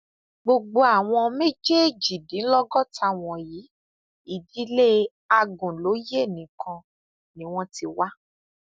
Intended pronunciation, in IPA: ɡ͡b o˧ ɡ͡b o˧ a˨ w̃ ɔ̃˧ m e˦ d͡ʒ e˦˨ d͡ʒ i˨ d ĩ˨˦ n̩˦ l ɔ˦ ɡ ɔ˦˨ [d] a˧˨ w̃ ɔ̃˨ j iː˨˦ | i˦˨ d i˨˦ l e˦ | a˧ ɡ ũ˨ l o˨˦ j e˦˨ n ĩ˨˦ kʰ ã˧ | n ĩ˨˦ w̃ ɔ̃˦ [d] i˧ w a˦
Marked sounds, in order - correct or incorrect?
incorrect: t, incorrect: t

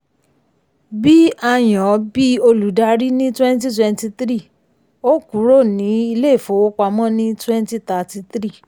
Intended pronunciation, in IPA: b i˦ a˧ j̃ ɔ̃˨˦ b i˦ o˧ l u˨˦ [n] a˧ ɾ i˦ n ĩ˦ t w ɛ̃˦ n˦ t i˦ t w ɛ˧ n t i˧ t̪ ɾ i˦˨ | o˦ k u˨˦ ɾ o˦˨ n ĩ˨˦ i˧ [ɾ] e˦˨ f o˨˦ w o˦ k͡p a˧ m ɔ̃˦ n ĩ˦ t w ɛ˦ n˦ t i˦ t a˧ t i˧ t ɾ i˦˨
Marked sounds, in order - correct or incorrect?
incorrect: d, incorrect: l

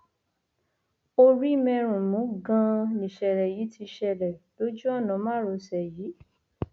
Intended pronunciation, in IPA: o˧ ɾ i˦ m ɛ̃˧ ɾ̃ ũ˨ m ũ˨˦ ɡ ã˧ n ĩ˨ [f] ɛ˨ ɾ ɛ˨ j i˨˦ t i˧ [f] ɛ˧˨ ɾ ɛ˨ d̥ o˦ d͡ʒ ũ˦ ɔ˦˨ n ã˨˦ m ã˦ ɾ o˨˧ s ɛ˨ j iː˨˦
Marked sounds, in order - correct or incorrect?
incorrect: ʃ, incorrect: ʃ

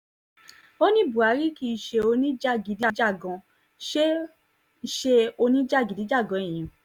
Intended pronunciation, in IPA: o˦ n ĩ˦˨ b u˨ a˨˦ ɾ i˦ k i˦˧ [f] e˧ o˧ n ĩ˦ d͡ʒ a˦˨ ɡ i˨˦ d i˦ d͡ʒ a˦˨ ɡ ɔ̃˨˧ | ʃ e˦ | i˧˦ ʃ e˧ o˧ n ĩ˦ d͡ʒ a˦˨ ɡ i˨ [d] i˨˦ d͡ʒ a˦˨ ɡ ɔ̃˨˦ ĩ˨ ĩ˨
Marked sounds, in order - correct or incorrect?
incorrect: ʃ, correct

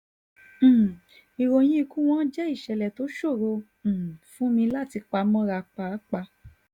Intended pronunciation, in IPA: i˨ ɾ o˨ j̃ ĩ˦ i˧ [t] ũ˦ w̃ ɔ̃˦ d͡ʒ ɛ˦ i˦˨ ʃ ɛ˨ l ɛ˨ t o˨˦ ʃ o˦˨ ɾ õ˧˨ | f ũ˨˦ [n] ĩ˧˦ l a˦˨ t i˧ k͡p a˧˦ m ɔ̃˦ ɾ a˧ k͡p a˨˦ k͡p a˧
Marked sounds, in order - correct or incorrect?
incorrect: k, incorrect: m

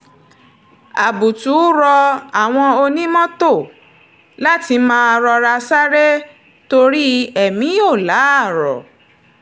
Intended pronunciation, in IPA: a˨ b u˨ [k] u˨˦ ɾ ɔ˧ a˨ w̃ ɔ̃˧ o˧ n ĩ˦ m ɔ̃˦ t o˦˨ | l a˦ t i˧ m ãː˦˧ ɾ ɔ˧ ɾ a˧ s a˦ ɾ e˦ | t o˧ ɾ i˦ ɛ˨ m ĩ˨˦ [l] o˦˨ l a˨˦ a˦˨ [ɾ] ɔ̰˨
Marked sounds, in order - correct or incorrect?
incorrect: t, incorrect: none, correct

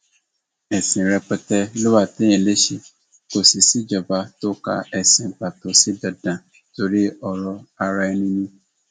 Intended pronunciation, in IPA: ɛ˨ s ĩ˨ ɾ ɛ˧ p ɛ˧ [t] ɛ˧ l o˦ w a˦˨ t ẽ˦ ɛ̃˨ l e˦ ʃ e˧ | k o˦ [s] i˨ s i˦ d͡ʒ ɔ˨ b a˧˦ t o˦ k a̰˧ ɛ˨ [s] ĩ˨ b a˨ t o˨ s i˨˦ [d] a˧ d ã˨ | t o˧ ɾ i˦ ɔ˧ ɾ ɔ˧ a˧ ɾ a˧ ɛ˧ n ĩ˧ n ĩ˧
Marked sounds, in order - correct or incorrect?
correct, correct, correct, correct

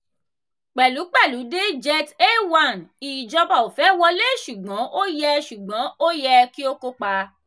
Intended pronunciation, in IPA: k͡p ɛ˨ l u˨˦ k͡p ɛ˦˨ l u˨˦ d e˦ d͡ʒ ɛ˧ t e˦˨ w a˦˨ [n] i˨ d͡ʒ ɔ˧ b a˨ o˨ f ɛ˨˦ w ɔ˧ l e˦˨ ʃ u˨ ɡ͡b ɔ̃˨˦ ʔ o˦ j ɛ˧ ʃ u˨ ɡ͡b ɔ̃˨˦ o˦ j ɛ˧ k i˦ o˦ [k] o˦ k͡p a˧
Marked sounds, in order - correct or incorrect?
correct, correct

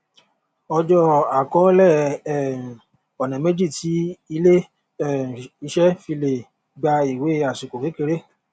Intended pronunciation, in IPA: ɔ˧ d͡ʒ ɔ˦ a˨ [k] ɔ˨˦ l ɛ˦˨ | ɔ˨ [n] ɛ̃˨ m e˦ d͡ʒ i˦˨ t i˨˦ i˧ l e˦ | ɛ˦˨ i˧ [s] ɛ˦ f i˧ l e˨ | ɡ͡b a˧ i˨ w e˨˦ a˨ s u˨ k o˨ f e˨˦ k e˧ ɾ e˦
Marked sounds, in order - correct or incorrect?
correct, correct, incorrect: ʃ

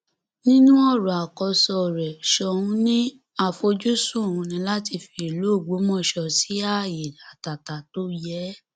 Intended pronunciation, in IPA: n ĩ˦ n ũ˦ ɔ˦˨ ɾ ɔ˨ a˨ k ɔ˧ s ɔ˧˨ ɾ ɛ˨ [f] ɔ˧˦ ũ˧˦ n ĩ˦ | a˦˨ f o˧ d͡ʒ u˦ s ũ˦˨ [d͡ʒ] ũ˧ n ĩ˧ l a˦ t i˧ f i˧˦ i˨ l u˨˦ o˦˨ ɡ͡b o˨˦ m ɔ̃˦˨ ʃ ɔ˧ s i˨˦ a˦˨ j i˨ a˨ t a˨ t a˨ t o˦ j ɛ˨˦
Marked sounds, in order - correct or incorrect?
incorrect: ʃ, incorrect: none

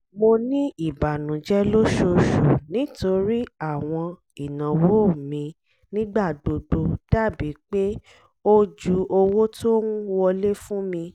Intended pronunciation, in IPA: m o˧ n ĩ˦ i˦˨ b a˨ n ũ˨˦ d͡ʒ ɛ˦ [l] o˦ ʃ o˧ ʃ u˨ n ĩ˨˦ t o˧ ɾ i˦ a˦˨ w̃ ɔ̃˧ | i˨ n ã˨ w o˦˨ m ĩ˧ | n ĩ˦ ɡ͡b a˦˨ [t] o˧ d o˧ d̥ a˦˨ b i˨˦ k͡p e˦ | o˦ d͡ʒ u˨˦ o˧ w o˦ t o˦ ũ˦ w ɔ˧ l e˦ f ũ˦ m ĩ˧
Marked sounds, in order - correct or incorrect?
correct, incorrect: d

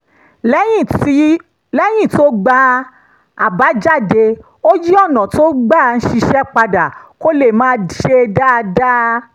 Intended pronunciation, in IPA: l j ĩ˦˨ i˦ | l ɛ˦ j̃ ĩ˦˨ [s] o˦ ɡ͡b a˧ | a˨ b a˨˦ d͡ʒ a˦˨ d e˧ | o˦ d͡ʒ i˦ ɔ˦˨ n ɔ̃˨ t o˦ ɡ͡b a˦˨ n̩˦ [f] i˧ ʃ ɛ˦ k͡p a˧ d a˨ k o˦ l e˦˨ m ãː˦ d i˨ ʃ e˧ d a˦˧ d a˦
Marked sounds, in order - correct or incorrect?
incorrect: t, incorrect: ʃ

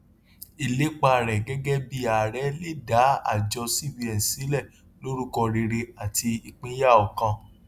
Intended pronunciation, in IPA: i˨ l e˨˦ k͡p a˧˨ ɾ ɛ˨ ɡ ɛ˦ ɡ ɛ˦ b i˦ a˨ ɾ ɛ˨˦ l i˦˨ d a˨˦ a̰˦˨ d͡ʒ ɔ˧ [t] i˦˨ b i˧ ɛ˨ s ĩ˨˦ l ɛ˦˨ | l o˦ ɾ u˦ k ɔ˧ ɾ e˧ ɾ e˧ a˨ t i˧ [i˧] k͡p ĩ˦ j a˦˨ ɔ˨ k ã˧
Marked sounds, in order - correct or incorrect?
incorrect: s, correct

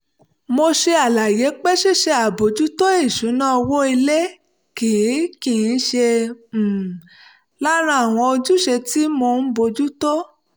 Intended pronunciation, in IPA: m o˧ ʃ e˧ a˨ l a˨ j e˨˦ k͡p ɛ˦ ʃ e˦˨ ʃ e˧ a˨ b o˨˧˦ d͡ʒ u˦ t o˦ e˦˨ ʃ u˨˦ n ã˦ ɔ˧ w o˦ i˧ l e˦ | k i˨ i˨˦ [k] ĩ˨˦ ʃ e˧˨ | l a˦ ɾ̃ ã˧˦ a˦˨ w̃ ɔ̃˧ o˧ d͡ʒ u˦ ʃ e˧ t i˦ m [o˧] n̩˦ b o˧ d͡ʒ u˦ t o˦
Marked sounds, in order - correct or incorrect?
correct, correct

